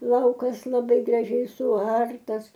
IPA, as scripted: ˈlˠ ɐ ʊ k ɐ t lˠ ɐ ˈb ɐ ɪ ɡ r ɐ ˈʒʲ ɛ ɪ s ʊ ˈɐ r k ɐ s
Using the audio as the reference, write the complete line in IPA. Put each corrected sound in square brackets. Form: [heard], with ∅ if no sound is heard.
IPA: ˈlˠ ɐ ʊ k ɐ [s] lˠ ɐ ˈb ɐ ɪ ɡ r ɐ ˈʒʲ ɛ ɪ s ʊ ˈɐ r [t] ɐ s